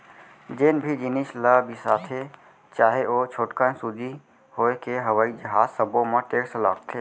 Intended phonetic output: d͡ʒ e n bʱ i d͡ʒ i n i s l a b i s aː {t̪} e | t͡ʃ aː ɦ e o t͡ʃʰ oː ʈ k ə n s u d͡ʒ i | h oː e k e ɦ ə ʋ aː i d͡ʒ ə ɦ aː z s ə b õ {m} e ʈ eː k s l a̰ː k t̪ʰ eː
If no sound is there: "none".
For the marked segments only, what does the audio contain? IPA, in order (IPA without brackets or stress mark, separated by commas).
t̪ʰ, m